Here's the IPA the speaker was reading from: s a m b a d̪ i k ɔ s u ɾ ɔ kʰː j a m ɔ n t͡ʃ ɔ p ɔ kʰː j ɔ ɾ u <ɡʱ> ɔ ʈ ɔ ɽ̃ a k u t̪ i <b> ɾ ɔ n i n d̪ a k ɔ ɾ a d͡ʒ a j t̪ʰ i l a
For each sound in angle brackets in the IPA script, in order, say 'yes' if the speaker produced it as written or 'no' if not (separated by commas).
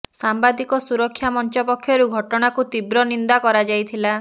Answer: yes, yes